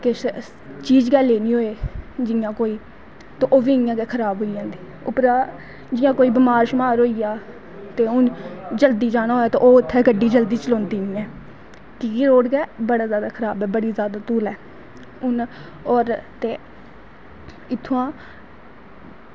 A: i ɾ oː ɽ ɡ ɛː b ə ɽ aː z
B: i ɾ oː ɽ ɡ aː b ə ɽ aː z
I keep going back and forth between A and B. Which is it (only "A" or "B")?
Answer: A